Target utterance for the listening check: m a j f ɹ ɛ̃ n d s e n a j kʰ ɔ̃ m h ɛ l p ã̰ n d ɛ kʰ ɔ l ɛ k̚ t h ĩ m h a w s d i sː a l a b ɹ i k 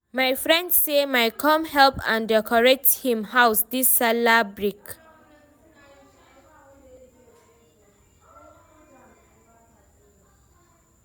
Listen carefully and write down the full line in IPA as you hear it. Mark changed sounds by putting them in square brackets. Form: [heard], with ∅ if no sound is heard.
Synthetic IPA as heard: m a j f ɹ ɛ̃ n d s e [m] a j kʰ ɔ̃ m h ɛ l p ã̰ n d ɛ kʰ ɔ [ɹ] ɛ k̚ t h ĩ m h a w s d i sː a l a b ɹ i k